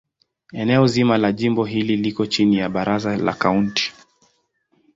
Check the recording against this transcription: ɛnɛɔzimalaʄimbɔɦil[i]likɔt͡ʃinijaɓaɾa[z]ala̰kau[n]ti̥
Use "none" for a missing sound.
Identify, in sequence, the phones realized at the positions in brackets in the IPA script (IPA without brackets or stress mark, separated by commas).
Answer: i, z, n